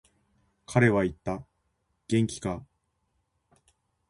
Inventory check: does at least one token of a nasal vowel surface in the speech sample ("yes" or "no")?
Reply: yes